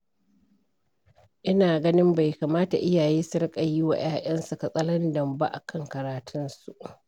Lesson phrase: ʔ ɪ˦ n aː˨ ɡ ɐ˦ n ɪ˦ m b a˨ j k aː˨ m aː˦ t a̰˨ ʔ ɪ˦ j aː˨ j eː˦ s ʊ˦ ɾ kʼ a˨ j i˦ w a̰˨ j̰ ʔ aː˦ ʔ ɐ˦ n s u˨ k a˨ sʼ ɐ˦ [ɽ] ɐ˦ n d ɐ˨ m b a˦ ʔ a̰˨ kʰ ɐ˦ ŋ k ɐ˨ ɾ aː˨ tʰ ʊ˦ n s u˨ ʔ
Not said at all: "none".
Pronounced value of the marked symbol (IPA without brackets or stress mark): l